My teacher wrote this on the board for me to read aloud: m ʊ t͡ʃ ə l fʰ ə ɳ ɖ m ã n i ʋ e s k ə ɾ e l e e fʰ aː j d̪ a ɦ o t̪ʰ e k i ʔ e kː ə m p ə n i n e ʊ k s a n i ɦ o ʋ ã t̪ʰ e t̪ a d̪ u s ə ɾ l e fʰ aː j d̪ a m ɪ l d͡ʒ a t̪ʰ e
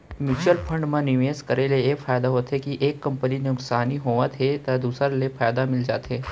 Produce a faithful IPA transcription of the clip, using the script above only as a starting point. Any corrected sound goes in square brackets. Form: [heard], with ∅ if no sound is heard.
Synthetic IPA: m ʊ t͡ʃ ə l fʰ ə ɳ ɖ m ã n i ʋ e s k ə ɾ e l e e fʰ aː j d̪ a ɦ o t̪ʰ e k i ʔ e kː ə m p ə n i n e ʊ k s a n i ɦ o ʋ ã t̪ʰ e t̪ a d̪ u s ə ɾ l e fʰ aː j d̪ a m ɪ l d͡ʒ a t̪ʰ e